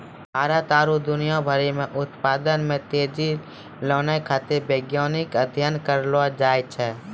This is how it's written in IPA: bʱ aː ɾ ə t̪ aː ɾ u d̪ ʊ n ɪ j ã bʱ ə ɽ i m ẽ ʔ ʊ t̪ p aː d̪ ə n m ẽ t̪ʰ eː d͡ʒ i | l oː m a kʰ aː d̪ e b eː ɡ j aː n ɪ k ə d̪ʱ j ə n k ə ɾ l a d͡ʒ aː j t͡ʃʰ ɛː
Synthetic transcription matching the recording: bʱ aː ɾ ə t̪ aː ɾ u d̪ ʊ n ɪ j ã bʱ ə ɾ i m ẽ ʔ ʊ t̪ p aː d̪ ə n m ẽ t̪ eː d͡ʒ i | l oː n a kʰ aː t̪ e b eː ɡ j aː n ɪ k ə d̪ʱ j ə n k ə ɾ l a d͡ʒ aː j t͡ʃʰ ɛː